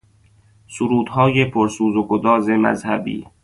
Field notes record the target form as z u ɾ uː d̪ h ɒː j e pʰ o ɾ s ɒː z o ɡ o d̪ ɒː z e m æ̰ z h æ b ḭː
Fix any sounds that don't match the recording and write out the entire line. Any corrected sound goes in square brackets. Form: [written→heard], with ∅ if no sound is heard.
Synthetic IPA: [z→s] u ɾ uː d̪ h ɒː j e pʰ o ɾ s [ɒː→uː] z o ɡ o d̪ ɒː z e m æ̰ z h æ b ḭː